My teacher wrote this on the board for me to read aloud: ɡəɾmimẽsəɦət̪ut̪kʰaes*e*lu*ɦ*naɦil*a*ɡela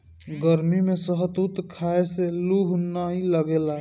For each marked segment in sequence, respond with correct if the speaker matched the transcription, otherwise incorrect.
correct, correct, incorrect: ə

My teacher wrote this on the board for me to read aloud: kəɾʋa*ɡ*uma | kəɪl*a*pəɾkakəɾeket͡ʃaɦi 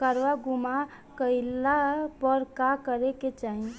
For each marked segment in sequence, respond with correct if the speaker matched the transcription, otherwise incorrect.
correct, correct

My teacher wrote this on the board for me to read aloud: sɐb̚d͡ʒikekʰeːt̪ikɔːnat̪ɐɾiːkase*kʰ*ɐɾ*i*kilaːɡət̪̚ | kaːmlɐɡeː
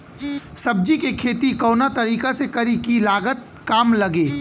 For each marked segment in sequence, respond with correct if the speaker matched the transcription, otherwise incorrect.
incorrect: k, correct

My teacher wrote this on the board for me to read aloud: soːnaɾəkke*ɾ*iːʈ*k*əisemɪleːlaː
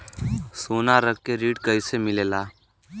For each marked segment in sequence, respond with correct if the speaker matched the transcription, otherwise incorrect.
correct, correct

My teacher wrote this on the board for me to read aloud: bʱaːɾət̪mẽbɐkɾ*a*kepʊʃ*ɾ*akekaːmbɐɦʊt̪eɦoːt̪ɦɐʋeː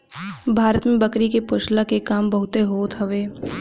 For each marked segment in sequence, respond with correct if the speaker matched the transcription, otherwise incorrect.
incorrect: i, incorrect: l

